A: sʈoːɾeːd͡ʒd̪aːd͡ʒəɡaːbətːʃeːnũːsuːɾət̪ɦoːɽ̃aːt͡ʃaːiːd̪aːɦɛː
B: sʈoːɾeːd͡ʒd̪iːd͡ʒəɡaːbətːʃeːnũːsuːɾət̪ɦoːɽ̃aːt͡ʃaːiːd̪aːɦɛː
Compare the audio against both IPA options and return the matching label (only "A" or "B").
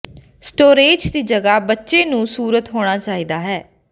B